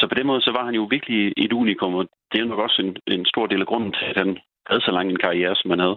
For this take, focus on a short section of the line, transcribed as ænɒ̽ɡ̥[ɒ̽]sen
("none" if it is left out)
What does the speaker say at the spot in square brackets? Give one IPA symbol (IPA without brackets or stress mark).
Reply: ɒ̽